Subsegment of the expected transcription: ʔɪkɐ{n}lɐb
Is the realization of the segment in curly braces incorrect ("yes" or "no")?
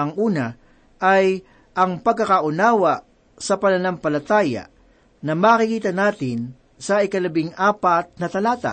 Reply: yes